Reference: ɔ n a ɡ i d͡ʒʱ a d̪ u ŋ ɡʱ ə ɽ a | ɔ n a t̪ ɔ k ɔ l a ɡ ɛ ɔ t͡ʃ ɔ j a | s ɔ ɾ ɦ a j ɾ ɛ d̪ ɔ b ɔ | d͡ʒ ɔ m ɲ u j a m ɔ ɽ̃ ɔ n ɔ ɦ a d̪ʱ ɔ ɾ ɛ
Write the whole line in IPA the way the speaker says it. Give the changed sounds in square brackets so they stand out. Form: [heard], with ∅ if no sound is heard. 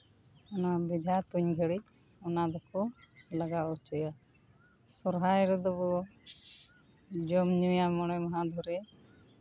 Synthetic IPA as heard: ɔ n a [b] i d͡ʒʱ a [t̪] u [ɲ] ɡʱ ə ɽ [i] | ɔ n a [d̪] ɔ k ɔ l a ɡ [a] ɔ t͡ʃ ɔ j a | s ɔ ɾ ɦ a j ɾ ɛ d̪ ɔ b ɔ | d͡ʒ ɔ m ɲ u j a m ɔ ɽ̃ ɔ [m] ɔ ɦ a d̪ʱ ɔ ɾ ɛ